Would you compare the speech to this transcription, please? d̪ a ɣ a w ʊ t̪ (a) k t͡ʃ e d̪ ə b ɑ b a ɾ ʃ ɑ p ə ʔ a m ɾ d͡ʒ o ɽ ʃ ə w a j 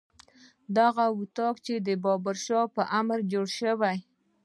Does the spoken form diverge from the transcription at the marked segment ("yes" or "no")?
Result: yes